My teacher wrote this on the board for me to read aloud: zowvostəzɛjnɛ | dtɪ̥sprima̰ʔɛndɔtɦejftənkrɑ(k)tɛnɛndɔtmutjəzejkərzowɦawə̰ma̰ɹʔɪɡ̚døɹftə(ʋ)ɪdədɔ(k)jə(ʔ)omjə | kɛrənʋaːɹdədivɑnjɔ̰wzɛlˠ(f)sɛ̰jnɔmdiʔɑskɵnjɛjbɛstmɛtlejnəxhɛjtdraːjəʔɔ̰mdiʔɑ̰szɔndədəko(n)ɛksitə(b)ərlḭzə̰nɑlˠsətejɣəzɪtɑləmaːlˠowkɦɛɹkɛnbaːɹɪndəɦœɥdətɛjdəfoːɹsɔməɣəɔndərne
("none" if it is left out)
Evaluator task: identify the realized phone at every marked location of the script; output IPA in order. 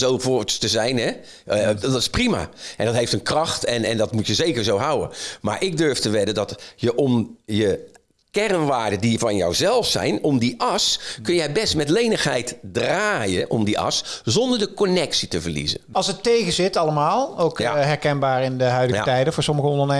x, ʋ, t, ʔ, f, n, v

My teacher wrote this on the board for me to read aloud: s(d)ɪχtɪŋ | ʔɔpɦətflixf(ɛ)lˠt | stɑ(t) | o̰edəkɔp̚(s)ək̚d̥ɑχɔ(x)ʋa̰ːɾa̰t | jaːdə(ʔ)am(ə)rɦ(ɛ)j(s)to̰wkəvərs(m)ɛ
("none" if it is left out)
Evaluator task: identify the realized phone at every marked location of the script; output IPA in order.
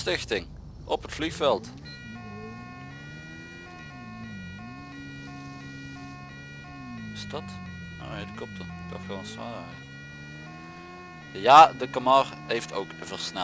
t, ɛ, t, t, s, k, ɑ, e, f, n

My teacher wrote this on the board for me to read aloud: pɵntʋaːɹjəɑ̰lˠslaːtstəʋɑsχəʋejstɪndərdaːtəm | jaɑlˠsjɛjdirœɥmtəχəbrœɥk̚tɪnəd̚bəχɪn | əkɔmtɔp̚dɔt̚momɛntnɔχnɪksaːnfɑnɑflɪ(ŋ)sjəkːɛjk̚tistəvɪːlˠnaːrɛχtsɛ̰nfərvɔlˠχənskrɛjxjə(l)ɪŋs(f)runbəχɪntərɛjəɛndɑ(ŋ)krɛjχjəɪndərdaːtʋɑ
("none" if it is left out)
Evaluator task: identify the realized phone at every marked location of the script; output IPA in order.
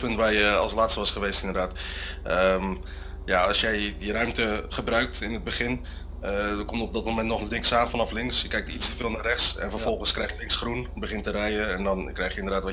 ŋ, l, χ, n

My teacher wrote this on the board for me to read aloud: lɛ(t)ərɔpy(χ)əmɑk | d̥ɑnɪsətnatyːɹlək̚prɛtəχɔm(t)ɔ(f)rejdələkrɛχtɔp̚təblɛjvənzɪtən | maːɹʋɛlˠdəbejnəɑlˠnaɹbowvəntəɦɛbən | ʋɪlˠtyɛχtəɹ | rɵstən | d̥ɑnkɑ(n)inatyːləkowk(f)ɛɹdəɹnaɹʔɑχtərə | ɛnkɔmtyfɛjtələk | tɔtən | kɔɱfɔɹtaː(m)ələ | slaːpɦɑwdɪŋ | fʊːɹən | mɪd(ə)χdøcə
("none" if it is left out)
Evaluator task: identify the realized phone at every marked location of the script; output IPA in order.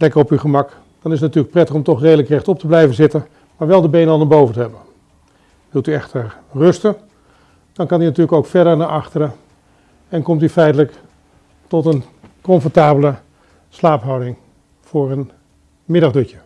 k, χ, t, χ, n, f, b, ɑ

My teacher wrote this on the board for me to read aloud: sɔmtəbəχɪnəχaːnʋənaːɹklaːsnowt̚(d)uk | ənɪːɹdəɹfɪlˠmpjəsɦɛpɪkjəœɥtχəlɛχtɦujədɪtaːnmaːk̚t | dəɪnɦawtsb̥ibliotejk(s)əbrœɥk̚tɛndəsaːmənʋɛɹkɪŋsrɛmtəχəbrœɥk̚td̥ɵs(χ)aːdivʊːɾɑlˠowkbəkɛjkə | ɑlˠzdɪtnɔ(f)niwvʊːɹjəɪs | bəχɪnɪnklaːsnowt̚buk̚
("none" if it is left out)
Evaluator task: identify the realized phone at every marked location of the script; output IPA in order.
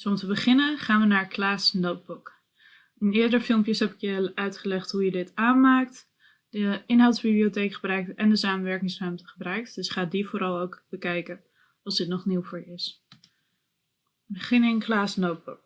b, χ, χ, χ

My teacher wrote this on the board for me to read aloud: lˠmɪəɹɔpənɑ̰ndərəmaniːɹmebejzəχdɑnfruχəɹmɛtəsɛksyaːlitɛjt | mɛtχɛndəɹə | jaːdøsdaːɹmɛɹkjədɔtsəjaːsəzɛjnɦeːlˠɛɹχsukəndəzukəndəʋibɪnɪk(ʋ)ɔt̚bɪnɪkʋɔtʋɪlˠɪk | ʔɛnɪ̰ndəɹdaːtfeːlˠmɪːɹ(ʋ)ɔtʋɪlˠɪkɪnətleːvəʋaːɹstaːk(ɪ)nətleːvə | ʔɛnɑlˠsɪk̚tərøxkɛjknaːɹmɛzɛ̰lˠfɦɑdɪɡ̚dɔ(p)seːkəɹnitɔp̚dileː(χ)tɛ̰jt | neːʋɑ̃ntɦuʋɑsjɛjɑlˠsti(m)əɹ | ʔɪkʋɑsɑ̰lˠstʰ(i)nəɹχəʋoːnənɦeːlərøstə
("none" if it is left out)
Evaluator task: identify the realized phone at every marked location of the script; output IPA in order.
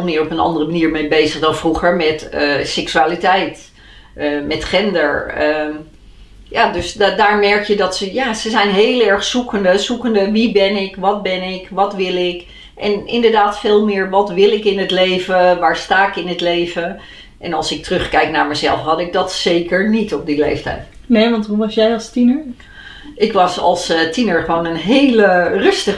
ʋ, ʋ, ɪ, t, f, n, i

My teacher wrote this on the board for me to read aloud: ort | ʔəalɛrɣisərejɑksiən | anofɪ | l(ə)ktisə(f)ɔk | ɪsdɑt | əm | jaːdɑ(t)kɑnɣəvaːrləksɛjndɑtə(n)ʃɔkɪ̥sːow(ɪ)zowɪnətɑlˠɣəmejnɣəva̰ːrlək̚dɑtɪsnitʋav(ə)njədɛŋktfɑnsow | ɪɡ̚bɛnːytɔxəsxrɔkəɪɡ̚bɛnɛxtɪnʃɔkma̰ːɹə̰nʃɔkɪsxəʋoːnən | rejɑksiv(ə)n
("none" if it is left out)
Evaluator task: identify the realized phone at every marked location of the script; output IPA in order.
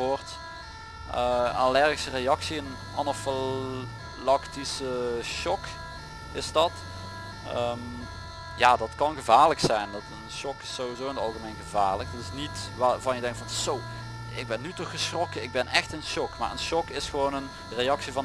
ɑ, ʃ, t, n, i, ɑ, ɑ

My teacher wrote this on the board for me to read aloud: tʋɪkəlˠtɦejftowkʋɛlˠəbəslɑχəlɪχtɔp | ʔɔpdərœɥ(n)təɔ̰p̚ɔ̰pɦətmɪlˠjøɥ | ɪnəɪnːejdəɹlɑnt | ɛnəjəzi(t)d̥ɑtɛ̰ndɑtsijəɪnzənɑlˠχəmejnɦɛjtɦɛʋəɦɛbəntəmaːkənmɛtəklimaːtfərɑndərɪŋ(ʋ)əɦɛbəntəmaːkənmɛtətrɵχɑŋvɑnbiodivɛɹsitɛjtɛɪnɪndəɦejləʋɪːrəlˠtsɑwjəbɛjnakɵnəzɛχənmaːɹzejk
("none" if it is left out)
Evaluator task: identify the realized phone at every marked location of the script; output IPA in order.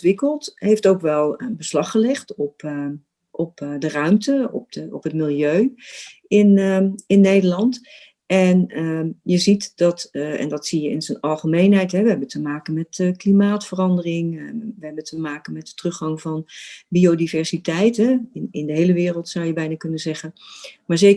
m, t, ʋ

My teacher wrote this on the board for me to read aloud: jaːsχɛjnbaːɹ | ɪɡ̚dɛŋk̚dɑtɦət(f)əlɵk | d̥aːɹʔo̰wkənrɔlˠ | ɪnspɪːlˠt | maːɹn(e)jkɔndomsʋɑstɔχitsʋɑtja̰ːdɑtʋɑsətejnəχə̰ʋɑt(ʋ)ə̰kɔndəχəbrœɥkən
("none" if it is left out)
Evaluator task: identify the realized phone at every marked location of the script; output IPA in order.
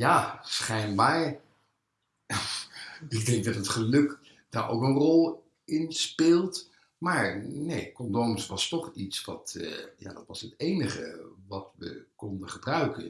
χ, e, ʋ

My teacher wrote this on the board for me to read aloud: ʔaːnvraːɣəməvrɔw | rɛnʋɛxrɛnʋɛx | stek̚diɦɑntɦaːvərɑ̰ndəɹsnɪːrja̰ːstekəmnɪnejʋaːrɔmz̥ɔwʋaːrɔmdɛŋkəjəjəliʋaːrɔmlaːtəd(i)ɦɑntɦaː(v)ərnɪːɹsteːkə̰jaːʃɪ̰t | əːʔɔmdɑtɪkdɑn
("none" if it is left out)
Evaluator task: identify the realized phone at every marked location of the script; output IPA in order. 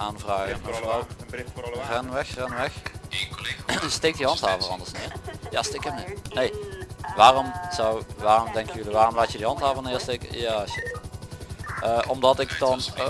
i, v

